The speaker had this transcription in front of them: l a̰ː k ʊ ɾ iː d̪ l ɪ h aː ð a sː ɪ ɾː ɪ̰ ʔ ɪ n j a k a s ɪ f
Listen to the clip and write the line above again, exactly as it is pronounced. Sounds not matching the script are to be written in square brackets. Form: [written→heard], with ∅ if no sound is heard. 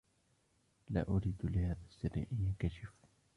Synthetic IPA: l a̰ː [k→ʔ] ʊ ɾ iː d̪ l ɪ h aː ð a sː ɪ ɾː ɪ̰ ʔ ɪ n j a k a [s→ʃ] ɪ f